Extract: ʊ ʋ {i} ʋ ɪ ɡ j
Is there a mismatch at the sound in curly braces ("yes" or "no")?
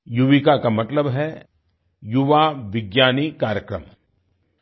yes